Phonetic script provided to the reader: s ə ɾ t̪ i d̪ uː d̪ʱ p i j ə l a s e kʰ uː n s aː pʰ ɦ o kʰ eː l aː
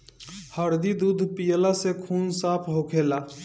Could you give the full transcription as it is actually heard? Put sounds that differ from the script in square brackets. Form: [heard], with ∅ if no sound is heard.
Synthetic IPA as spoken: [h] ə ɾ [d̪] i d̪ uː d̪ʱ p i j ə l a s e kʰ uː n s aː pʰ ɦ o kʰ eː l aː

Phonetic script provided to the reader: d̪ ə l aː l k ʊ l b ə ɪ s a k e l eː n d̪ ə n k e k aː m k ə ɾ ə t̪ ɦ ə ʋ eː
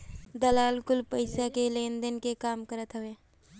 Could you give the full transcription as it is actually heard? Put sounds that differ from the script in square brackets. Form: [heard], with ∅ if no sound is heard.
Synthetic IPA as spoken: d̪ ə l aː l k ʊ l [p] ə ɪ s a k e l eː n d̪ ə n k e k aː m k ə ɾ ə t̪ ɦ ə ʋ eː

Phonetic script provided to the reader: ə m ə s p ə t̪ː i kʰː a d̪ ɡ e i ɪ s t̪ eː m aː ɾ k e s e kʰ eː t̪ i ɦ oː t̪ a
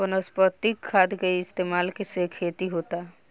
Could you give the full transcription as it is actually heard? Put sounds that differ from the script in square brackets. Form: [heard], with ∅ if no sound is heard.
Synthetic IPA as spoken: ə [n] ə s p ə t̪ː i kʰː a d̪ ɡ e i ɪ s t̪ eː m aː [l] k e s e kʰ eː t̪ i ɦ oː t̪ a

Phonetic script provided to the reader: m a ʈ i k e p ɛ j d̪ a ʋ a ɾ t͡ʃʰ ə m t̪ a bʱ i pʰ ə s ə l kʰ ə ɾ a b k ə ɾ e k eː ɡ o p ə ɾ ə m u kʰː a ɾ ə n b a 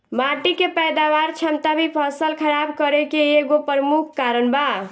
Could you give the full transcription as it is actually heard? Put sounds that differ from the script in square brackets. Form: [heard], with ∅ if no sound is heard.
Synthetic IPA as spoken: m a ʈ i k e p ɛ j d̪ a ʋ a ɾ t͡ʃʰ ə m t̪ a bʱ i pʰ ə s ə l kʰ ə ɾ a b k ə ɾ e k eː ɡ o p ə ɾ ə m u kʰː a ɾ ə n b a

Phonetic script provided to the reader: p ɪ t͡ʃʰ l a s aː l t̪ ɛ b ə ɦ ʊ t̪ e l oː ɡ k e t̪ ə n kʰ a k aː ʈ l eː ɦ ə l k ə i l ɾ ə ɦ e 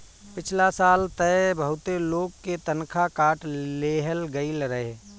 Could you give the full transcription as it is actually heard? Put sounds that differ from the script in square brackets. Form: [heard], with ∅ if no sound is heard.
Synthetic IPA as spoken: p ɪ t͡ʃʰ l a s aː l t̪ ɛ b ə ɦ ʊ t̪ e l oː ɡ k e t̪ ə n kʰ a k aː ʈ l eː ɦ ə l [ɡ] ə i l ɾ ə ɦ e

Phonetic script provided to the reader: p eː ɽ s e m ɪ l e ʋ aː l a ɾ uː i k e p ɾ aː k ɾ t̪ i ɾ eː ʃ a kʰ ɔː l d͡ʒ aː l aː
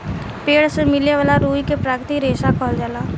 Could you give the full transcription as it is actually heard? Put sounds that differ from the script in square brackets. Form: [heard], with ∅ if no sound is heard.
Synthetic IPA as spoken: p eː ɽ s e m ɪ l e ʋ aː l a ɾ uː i k e p ɾ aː k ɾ t̪ i ɾ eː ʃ a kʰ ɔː l d͡ʒ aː l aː

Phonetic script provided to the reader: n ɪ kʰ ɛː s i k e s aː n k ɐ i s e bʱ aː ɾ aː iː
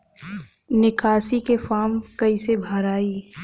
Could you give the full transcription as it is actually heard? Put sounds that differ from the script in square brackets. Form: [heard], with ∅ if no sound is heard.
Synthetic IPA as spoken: n ɪ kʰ [aː] s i k e [f] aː [m] k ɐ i s e bʱ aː ɾ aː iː

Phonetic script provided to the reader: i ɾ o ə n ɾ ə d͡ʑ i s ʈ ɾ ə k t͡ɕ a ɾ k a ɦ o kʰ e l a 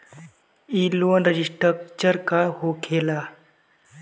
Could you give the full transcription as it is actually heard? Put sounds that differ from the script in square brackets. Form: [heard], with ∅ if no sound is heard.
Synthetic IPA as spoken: i [l] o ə n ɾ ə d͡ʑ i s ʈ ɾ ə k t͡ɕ [ə] ɾ k a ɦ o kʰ e l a

